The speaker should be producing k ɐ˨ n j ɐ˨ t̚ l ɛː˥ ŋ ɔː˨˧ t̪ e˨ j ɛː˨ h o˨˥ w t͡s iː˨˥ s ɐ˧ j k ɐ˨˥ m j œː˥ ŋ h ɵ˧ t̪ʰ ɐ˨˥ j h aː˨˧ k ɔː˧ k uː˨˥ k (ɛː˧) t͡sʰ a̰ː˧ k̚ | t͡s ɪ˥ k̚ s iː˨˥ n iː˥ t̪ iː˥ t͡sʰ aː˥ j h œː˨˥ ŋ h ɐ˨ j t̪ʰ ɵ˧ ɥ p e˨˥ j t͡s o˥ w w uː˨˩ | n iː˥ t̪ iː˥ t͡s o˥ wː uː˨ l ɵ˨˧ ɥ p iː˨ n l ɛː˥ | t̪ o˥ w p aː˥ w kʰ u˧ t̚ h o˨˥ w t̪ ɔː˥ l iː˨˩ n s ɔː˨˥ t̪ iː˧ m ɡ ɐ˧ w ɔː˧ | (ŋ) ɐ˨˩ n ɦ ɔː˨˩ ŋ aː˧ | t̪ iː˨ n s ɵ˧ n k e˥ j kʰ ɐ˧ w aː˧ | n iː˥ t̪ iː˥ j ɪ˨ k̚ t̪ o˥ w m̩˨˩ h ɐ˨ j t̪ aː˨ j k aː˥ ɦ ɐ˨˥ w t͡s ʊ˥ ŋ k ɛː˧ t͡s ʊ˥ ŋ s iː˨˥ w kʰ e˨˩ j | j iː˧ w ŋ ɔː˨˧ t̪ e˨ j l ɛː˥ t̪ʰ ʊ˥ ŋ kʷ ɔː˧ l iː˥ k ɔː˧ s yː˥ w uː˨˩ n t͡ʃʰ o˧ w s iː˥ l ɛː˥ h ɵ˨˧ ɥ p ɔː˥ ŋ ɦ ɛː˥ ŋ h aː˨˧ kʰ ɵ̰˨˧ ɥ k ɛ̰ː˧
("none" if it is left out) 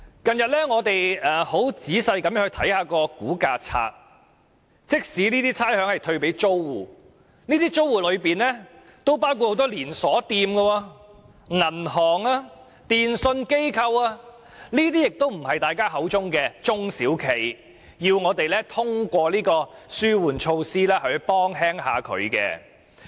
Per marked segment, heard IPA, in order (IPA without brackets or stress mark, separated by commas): aː˧, ŋ